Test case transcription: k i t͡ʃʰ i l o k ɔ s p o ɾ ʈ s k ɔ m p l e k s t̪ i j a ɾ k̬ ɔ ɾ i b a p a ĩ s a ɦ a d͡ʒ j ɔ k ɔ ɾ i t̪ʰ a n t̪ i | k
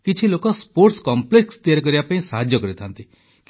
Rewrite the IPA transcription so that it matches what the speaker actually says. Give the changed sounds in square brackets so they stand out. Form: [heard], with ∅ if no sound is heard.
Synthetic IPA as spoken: k i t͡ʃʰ i l o k ɔ s p o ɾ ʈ s k ɔ m p l e k s t̪ i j a ɾ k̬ ɔ ɾ i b a p a ĩ s a ɦ a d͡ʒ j ɔ k ɔ ɾ i t̪ʰ a n t̪ i | k